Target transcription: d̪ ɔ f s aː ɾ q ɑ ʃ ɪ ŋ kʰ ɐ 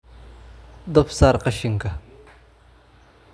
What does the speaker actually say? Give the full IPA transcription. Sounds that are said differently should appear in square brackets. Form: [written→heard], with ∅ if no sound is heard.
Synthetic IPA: d̪ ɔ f s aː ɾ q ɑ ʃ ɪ ŋ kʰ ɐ